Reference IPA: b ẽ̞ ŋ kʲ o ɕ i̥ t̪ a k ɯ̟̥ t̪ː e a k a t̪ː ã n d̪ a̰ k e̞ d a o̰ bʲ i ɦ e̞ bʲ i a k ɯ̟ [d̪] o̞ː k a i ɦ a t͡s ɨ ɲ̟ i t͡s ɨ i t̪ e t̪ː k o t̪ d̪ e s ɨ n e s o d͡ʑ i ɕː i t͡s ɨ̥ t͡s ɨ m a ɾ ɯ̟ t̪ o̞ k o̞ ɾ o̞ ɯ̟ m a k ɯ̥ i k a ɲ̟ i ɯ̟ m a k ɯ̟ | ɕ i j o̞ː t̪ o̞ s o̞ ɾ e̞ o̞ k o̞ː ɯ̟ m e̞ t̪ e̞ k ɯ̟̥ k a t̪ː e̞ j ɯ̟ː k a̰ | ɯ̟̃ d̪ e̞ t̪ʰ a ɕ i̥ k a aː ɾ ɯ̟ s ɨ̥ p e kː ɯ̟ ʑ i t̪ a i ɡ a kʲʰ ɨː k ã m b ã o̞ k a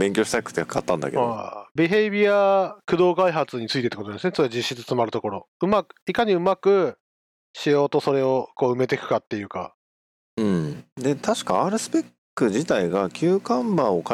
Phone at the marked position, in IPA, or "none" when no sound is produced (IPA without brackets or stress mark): d̪